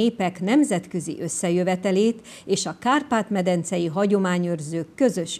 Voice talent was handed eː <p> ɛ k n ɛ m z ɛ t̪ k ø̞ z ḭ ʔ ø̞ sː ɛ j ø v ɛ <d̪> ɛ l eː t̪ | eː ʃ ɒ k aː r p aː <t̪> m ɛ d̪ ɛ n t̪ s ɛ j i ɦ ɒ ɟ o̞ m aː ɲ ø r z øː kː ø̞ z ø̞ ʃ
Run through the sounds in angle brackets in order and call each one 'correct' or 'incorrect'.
correct, incorrect: t̪, correct

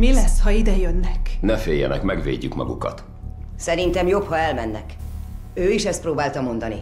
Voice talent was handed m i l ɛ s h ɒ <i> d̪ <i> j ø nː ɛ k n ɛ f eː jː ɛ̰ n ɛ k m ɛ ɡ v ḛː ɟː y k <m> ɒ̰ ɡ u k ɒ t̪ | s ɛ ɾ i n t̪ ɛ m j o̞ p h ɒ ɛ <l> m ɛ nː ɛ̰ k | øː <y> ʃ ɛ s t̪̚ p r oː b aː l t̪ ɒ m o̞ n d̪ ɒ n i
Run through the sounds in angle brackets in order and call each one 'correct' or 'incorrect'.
correct, incorrect: ɛ, correct, correct, incorrect: i

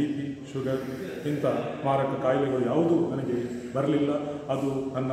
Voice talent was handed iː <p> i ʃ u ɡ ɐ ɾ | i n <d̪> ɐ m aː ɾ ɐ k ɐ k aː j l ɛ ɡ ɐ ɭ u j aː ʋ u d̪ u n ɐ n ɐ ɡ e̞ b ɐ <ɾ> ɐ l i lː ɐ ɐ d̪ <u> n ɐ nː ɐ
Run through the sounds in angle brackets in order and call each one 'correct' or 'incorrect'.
correct, incorrect: t̪, correct, correct

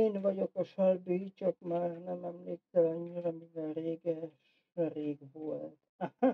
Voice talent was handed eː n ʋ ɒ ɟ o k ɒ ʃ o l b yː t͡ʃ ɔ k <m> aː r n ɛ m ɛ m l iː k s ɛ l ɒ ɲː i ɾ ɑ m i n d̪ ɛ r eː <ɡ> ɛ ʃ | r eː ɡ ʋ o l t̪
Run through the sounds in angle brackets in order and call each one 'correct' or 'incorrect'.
correct, correct

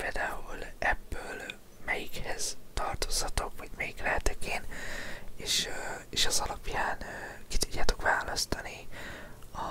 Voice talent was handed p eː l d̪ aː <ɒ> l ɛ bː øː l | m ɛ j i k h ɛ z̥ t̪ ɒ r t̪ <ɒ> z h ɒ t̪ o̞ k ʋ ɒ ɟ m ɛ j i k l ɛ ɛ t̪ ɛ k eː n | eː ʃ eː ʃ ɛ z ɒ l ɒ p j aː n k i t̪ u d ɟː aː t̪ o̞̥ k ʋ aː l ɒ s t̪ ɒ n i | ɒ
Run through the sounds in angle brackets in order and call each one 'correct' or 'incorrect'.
incorrect: u, incorrect: o

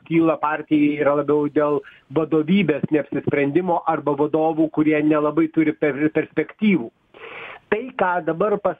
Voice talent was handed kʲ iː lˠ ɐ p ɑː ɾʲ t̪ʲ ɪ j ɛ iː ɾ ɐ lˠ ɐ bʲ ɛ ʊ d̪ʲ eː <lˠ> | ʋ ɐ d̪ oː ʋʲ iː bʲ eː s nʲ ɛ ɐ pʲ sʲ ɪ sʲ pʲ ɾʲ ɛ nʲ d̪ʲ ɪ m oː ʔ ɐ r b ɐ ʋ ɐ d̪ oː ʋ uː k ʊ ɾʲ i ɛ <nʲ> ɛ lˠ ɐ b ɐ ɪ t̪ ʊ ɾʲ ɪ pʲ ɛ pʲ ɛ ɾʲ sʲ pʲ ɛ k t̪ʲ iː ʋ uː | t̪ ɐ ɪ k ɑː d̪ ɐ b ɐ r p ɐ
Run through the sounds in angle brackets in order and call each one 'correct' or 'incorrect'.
correct, correct

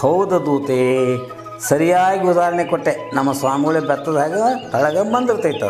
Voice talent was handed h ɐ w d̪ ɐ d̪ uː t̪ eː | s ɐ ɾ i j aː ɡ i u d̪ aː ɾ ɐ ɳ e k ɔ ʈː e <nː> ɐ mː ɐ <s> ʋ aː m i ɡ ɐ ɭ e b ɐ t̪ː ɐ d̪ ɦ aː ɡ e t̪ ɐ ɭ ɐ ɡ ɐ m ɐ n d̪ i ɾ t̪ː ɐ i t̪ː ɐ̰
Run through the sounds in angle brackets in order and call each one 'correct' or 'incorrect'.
incorrect: n, correct

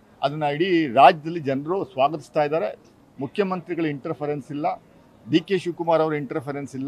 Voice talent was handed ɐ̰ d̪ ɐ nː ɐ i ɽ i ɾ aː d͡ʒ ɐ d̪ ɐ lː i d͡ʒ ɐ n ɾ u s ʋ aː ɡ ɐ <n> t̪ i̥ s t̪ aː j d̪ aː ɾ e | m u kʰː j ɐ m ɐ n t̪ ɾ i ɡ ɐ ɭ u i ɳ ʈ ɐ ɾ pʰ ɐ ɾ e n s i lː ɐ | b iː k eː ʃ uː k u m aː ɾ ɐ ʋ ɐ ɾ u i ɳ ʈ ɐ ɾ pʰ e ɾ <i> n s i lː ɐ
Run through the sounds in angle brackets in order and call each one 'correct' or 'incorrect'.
incorrect: none, incorrect: e

